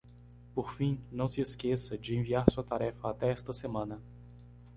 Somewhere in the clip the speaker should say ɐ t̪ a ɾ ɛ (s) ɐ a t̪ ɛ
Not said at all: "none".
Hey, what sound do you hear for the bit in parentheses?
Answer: f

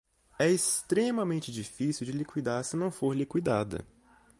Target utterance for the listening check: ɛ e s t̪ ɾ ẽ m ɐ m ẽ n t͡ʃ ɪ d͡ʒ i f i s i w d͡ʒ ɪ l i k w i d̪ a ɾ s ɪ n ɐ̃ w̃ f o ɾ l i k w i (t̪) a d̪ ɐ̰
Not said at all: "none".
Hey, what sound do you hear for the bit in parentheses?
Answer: d̪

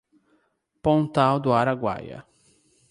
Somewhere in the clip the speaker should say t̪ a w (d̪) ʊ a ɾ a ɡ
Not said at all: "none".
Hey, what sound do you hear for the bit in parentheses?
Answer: d̪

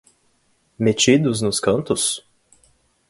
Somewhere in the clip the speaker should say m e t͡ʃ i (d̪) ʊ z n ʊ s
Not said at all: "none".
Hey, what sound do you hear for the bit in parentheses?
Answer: d̪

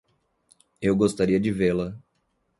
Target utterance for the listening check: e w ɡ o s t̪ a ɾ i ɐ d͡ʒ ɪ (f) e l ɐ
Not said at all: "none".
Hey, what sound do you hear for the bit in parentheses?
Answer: v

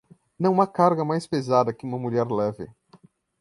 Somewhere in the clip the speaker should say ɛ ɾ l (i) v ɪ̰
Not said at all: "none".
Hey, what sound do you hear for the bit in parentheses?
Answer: ɛ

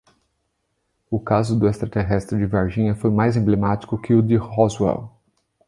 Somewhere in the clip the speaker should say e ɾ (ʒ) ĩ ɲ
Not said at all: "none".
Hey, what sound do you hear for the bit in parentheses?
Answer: ʒ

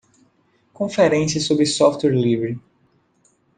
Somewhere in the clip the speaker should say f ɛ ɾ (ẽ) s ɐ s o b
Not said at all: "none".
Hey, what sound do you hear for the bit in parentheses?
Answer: ẽ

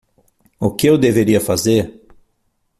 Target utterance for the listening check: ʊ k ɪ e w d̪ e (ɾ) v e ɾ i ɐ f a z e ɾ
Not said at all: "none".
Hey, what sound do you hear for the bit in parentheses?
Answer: none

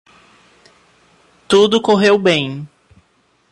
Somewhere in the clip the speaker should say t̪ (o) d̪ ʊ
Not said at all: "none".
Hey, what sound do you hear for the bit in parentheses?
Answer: u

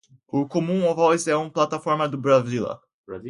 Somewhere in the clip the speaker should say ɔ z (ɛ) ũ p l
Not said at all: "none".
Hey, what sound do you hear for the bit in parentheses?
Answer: ɛ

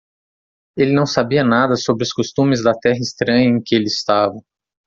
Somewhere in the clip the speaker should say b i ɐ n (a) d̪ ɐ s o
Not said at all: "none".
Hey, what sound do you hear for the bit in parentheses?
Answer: a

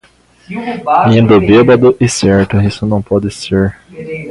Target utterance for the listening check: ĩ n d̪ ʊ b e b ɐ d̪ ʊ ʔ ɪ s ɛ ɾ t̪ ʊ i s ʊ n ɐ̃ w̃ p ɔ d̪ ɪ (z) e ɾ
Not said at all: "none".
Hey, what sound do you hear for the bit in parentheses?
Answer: s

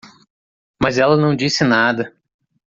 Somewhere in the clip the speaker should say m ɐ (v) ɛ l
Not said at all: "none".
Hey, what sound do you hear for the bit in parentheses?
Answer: z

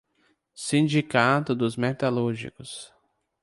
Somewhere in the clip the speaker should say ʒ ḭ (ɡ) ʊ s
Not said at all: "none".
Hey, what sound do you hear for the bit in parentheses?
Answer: k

